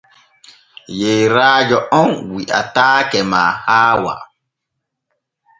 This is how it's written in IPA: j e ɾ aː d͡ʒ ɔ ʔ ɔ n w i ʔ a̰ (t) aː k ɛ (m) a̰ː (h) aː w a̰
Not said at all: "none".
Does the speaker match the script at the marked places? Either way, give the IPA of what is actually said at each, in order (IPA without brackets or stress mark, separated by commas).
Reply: t, m, h